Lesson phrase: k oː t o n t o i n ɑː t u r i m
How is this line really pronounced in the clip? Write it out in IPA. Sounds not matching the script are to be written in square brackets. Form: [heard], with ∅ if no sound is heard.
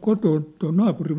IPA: k [o] t [oː] n t o i n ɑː [p] u r i m